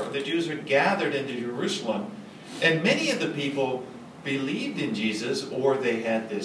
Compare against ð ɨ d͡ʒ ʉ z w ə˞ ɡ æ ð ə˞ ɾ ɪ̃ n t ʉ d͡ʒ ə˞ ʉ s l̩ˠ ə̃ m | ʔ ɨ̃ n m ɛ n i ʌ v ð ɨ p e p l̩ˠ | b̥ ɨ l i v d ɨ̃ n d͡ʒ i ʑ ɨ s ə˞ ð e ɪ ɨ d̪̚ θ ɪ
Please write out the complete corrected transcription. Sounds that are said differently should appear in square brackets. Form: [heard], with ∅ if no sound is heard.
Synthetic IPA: ð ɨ d͡ʒ ʉ z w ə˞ ɡ æ ð ə˞ ɾ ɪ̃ n t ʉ d͡ʒ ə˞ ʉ s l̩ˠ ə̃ m | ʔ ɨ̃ n m ɛ n i ʌ v ð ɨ p [i] p l̩ˠ | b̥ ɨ l i v d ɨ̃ n d͡ʒ i [z] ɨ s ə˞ ð e ɪ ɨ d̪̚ [ð] ɪ